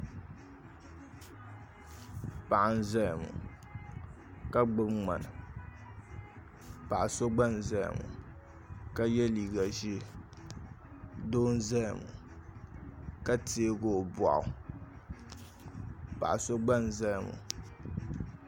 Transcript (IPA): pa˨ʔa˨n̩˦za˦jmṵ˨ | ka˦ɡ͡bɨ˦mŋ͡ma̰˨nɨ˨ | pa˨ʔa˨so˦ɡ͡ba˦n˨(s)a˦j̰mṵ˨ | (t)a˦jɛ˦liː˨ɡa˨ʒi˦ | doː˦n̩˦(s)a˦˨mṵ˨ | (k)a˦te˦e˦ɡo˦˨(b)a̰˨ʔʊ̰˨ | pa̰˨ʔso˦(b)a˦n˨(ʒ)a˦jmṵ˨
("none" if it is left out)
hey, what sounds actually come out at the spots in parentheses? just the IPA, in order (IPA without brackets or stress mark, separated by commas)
z, k, z, k, b, ɡ͡b, z